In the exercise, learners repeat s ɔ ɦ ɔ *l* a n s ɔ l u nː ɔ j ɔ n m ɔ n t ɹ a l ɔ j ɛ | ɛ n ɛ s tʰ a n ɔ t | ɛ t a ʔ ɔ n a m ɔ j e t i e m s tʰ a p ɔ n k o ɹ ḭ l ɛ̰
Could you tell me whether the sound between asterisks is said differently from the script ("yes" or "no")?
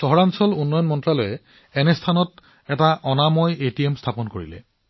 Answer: yes